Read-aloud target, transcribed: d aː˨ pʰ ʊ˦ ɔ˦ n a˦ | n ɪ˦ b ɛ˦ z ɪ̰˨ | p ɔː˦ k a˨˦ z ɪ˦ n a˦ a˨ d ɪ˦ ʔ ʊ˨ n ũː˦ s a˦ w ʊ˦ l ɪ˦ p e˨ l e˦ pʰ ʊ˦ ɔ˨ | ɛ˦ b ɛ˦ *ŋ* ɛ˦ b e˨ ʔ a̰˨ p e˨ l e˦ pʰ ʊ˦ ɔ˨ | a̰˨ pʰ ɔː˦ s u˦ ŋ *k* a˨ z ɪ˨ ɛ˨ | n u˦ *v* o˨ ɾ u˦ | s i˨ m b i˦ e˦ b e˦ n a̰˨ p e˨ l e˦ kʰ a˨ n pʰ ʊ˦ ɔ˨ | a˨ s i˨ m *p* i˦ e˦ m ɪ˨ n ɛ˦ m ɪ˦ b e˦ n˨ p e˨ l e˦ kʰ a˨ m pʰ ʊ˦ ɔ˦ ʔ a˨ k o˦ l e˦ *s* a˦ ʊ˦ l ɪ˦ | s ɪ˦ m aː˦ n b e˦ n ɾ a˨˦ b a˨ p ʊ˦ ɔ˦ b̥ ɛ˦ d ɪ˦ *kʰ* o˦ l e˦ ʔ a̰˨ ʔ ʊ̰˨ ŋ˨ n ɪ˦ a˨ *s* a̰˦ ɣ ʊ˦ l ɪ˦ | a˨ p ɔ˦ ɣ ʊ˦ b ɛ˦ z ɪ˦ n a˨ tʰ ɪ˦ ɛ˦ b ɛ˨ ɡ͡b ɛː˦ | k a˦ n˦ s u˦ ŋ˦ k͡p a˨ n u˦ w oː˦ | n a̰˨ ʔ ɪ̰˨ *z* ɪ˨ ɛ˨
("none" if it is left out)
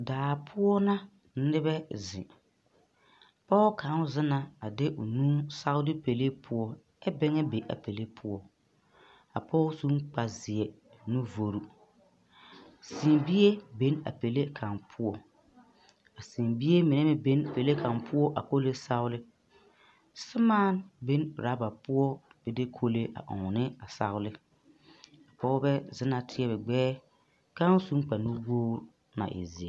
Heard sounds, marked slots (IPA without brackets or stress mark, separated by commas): ŋ, k͡p, v, b, s, kʰ, s, z